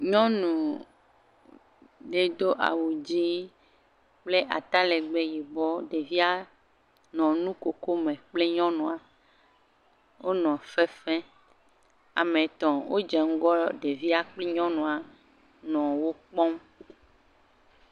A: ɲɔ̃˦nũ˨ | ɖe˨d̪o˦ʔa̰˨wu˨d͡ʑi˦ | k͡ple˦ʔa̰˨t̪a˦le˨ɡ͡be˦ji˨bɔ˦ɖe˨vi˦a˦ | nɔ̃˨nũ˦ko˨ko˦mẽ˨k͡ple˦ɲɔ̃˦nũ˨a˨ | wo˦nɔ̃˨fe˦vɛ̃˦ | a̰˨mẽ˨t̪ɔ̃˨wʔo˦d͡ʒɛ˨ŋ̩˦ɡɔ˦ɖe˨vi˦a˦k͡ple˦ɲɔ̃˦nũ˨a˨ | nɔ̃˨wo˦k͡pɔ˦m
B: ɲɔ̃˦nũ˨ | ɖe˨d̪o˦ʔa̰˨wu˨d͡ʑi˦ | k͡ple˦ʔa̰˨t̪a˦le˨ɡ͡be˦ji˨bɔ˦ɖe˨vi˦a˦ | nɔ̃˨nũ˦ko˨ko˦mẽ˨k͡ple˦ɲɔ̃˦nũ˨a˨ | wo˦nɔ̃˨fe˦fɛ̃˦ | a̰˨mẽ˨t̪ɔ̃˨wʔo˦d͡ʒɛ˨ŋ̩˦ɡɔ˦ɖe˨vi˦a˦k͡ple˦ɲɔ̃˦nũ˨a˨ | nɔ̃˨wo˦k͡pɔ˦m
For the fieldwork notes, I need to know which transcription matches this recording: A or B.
B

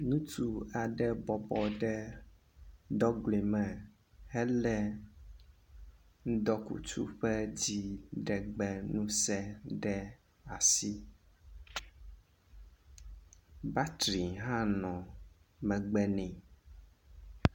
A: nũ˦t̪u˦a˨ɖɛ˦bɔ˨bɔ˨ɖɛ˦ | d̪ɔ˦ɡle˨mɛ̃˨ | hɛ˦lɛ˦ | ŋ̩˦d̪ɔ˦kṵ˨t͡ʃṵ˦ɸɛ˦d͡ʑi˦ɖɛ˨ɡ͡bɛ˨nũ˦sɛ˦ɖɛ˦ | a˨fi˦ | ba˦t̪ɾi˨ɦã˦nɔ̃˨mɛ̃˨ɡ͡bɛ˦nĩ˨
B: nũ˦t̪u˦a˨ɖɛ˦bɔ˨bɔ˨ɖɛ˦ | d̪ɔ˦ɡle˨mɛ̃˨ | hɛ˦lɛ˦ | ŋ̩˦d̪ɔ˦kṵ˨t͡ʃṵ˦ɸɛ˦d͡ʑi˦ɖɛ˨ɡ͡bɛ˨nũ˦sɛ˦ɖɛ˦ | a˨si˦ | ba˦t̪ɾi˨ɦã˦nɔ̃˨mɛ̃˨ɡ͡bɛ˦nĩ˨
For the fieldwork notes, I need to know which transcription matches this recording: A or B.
B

